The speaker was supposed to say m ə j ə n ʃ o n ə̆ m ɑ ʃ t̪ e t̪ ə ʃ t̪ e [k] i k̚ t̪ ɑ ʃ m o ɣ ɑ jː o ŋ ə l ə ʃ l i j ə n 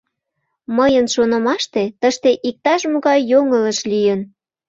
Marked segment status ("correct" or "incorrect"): incorrect